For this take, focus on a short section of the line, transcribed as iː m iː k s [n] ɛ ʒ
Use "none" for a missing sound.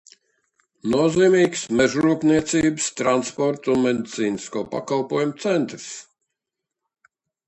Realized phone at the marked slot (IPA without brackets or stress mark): m